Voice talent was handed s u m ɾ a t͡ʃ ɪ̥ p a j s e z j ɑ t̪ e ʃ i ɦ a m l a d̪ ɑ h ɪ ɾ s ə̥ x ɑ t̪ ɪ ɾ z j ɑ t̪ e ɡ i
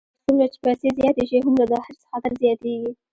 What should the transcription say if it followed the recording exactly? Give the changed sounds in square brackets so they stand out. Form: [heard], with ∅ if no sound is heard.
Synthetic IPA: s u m ɾ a t͡ʃ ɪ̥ p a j s e z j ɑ t̪ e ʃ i ɦ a m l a d̪ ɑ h ɪ ɾ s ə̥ x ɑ t̪ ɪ ɾ z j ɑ t̪ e ɡ i